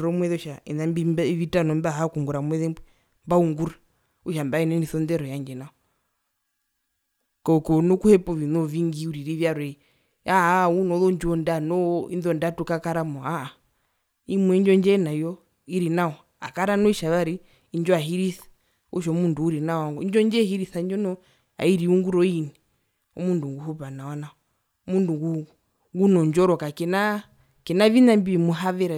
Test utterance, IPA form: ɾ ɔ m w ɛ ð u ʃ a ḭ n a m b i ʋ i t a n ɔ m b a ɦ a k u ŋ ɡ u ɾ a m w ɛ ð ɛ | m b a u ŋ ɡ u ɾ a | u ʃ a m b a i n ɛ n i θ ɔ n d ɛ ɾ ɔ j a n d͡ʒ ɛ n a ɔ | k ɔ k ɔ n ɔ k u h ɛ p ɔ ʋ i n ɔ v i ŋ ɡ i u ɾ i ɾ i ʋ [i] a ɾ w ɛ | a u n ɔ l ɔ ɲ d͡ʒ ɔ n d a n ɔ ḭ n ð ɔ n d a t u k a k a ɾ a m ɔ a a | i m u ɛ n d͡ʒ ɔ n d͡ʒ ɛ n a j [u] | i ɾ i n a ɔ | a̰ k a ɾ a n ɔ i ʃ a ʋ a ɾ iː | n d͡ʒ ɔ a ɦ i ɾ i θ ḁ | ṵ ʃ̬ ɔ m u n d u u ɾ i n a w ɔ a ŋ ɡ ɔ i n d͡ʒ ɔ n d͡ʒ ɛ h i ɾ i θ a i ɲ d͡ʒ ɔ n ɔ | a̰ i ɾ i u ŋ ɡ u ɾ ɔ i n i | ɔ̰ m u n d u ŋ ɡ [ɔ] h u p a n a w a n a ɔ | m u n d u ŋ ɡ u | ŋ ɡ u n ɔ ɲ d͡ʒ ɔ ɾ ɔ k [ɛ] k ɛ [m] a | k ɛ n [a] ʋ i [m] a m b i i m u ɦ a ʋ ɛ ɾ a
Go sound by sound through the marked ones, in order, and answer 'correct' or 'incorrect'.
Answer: incorrect: j, incorrect: ɔ, incorrect: u, incorrect: a, incorrect: n, correct, incorrect: n

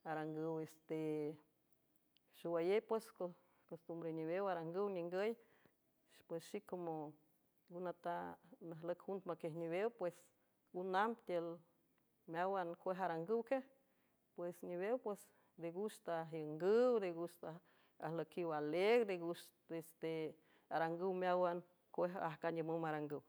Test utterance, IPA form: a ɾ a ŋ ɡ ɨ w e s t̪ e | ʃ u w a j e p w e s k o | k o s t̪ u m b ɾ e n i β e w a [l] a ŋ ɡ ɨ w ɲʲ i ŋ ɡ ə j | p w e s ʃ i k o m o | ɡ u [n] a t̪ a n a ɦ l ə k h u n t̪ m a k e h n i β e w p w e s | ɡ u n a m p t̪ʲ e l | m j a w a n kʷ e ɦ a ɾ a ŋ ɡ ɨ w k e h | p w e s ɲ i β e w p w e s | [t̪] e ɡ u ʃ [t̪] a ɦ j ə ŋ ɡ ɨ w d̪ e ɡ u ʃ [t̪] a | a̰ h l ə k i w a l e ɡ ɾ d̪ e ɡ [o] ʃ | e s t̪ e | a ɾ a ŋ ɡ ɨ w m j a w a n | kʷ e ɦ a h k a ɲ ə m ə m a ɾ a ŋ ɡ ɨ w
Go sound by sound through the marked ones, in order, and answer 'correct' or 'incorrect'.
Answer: incorrect: ɾ, correct, incorrect: d̪, correct, correct, incorrect: u

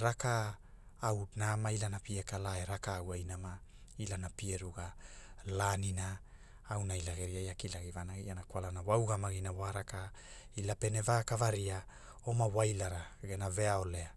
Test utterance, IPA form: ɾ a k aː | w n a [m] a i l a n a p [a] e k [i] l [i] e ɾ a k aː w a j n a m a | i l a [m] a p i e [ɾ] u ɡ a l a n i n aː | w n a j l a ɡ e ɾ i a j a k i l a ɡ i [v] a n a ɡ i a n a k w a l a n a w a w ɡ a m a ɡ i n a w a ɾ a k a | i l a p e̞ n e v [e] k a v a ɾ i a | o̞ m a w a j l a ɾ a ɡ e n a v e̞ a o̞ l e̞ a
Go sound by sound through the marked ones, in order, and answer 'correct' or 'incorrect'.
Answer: correct, incorrect: i, incorrect: a, incorrect: a, incorrect: n, correct, correct, incorrect: a

